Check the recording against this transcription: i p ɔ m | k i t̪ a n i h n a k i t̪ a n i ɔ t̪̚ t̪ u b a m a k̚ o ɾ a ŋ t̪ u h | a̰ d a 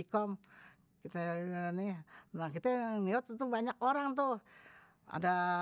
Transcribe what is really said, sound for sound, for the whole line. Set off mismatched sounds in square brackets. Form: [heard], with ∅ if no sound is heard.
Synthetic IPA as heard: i [k] ɔ m | k i t̪ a n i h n a k i t̪ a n i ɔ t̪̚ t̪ u b a [ɲ] a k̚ o ɾ a ŋ t̪ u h | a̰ d a